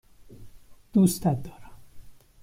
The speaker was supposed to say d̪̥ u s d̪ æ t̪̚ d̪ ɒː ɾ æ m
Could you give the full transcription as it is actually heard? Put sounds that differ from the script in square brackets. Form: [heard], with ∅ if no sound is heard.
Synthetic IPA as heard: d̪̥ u s [t̪] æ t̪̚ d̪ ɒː ɾ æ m